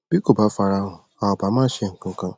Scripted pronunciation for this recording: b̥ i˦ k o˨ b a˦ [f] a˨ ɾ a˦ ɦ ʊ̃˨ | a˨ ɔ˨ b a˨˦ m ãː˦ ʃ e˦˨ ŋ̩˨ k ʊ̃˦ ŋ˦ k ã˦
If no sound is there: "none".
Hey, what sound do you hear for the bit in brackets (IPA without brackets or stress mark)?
f